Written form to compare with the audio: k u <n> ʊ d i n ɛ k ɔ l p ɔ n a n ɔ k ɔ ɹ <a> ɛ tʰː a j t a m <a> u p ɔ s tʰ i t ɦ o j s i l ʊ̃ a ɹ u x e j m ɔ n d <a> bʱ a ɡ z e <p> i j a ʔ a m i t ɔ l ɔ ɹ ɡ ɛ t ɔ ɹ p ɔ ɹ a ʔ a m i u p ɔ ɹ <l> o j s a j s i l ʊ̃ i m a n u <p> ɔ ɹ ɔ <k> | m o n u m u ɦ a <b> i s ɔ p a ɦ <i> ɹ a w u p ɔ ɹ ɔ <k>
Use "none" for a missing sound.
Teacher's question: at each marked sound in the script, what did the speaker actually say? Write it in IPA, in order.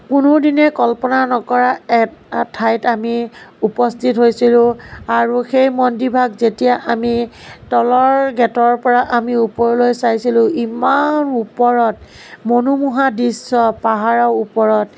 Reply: n, a, i, i, t, l, p, t, d, a, t

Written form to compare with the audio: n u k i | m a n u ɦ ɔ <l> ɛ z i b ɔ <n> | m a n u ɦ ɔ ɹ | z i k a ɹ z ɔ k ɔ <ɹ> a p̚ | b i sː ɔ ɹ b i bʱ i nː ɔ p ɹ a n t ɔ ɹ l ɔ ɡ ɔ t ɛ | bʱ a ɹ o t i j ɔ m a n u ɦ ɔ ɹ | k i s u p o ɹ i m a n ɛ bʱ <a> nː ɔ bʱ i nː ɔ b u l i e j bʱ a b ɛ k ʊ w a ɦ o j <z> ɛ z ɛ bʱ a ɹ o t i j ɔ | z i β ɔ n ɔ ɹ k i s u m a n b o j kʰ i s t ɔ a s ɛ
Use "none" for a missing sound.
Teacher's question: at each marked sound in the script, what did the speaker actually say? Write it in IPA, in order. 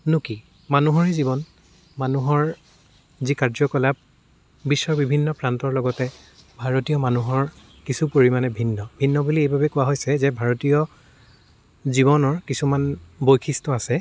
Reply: ɹ, n, l, i, s

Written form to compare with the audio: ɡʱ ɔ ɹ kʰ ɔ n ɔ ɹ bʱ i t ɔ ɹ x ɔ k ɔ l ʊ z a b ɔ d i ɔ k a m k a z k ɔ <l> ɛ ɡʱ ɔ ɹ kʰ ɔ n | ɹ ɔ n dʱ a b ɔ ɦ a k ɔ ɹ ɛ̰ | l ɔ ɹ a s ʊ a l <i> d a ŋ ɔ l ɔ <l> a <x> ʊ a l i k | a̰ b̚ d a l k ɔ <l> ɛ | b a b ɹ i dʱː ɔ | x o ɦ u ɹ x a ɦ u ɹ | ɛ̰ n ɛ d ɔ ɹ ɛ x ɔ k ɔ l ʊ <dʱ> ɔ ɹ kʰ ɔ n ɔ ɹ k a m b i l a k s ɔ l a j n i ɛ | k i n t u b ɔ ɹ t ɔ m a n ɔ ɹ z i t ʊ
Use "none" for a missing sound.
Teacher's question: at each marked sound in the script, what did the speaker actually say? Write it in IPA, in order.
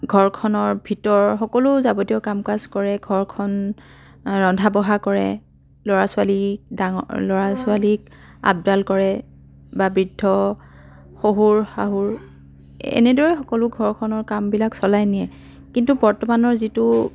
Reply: ɹ, i, ɹ, s, ɹ, ɡʱ

